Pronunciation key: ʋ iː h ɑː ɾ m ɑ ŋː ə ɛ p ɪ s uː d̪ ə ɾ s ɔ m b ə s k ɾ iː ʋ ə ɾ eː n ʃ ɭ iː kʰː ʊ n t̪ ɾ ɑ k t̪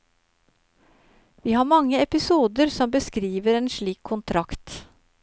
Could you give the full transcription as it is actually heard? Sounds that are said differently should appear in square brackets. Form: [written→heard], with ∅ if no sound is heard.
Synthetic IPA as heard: ʋ iː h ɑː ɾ m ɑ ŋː ə ɛ p ɪ s uː d̪ ə ɾ s ɔ m b ə s k ɾ iː ʋ ə ɾ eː n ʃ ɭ iː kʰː ʊ n [t̪→t̪ʰ] ɾ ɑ k t̪